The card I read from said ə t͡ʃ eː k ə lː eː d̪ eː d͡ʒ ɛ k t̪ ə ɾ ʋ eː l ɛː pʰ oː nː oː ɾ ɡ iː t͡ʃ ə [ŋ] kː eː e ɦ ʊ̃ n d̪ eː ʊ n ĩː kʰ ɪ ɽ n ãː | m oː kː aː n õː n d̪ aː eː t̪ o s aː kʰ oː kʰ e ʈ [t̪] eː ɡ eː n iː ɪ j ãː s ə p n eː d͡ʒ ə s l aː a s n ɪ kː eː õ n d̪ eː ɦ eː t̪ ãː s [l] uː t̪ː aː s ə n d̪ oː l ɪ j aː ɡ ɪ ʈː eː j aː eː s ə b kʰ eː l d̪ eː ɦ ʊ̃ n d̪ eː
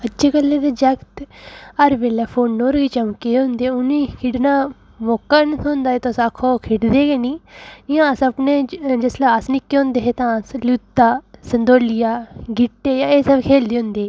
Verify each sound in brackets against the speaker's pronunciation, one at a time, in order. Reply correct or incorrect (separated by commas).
incorrect, incorrect, correct